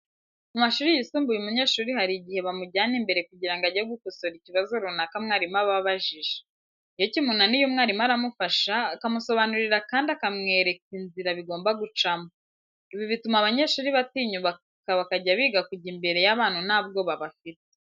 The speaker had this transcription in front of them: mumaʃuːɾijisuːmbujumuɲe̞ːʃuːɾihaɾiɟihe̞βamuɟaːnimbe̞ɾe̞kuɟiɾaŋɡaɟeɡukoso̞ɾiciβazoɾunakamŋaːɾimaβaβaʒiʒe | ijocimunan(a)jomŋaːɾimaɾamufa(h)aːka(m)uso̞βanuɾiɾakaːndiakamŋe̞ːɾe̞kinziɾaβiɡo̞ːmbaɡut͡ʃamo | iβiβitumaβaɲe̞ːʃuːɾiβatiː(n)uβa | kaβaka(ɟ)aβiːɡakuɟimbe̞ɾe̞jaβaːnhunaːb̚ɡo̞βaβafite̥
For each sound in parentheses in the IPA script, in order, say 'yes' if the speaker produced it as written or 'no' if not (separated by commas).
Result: no, no, yes, no, yes